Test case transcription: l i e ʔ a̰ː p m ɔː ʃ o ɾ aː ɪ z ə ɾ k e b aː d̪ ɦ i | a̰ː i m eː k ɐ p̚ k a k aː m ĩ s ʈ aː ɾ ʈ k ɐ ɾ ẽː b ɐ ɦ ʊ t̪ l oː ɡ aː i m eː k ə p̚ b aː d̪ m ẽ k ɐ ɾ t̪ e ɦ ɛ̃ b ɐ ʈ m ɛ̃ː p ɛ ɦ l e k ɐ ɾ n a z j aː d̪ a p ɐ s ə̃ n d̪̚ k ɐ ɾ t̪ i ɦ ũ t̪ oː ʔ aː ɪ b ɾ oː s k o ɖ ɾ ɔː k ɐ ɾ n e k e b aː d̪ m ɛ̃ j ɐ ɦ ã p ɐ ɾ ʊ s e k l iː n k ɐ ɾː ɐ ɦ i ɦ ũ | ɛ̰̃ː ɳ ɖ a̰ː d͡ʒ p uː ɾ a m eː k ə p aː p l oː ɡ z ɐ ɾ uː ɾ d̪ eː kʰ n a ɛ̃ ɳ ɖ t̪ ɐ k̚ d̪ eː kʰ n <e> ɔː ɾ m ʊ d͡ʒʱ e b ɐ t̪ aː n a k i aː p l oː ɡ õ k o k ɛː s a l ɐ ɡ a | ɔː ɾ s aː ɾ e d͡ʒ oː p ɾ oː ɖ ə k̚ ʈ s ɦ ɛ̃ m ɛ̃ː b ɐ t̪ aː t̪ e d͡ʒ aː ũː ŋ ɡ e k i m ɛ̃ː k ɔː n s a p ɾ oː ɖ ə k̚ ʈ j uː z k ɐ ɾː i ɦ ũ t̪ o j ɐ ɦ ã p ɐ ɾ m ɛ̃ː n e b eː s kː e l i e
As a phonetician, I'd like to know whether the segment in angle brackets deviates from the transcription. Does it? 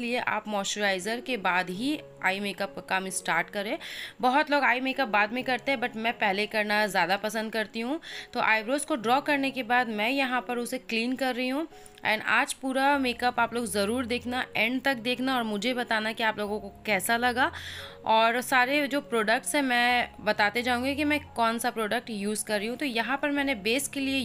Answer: yes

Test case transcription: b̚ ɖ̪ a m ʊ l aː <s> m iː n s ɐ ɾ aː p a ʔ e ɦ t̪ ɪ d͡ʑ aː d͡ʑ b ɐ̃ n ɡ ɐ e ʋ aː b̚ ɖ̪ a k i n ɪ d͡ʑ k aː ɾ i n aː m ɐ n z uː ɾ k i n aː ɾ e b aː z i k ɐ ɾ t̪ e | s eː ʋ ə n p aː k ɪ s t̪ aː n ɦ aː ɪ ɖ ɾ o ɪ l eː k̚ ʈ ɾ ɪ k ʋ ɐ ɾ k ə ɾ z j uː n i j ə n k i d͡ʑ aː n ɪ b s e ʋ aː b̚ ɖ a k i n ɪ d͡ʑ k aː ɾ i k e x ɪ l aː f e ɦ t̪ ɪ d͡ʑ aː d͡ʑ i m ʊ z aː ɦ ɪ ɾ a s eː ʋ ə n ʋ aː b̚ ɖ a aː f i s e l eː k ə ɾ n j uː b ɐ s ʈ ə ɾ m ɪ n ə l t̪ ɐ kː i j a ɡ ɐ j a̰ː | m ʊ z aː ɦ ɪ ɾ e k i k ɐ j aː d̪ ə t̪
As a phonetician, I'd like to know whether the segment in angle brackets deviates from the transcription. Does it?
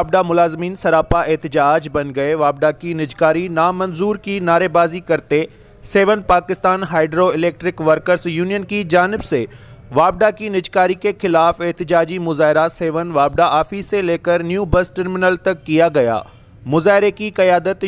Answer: yes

